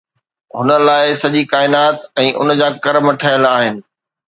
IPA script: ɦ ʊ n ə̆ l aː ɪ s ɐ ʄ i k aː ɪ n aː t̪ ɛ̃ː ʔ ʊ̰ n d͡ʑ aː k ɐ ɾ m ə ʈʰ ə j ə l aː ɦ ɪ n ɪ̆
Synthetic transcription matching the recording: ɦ ʊ n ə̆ l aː ɪ s ɐ ʄ i k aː ɪ n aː t̪ ɛ̃ː ʔ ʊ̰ n d͡ʑ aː k ɐ ɾ m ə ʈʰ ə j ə l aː ɦ ɪ n ɪ̆